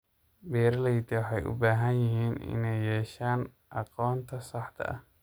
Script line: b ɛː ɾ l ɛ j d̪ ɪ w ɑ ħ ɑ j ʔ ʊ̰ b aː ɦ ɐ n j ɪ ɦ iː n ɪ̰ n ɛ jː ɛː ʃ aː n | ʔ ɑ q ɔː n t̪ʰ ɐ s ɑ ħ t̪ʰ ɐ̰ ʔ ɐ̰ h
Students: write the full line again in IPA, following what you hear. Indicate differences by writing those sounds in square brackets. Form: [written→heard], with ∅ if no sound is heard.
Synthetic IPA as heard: b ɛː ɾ l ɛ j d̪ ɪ w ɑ ħ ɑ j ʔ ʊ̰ b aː ɦ ɐ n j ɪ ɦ iː n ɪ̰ n ɛ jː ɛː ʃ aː n | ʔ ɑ q ɔː n t̪ʰ ɐ s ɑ ħ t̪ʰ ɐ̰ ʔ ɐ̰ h